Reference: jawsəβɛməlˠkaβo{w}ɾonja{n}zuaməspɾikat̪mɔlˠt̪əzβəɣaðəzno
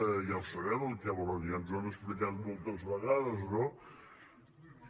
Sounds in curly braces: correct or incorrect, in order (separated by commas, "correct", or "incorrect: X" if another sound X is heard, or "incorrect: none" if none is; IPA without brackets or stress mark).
incorrect: none, correct